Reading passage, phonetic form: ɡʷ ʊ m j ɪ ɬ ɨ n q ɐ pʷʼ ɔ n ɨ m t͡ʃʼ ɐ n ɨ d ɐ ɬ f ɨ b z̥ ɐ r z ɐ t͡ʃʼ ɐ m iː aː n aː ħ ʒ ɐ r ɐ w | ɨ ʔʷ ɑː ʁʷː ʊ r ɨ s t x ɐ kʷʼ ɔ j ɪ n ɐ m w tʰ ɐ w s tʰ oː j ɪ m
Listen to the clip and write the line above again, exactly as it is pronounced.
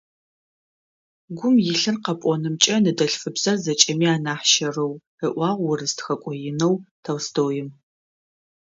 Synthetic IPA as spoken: ɡʷ ʊ m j ɪ ɬ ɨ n q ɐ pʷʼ ɔ n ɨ m t͡ʃʼ ɐ n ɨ d ɐ ɬ f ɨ b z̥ ɐ r z ɐ t͡ʃʼ ɐ m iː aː n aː ħ ʃ ɐ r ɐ w | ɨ ʔʷ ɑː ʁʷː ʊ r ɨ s t x ɐ kʷʼ ɔ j ɪ n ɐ w tʰ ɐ w s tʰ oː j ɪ m